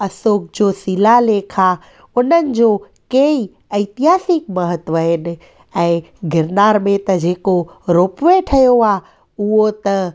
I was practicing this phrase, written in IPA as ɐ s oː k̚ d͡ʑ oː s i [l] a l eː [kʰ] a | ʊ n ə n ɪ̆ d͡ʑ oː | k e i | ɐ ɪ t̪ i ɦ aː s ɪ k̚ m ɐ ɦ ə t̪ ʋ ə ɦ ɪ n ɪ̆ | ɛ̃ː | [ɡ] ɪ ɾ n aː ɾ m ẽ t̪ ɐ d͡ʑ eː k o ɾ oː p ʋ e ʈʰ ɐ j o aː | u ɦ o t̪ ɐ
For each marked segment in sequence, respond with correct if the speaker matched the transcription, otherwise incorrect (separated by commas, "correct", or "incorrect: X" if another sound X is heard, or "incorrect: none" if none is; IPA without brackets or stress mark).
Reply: correct, correct, correct